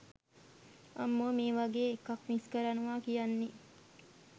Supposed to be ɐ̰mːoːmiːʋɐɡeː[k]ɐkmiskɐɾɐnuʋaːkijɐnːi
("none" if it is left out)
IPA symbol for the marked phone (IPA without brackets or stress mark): k